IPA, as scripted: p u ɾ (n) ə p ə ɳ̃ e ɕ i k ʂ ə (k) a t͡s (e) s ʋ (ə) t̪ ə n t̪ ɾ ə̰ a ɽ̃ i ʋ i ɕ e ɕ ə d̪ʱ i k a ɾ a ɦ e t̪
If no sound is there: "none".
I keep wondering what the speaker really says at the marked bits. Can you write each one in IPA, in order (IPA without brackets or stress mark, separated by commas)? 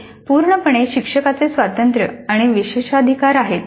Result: ɳ, k, e, a